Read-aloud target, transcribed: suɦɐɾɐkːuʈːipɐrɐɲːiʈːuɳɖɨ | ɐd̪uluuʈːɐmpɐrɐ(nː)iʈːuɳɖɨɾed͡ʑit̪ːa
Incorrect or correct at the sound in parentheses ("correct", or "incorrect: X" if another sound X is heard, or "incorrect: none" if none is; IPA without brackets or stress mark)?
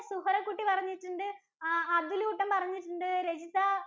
incorrect: ɲː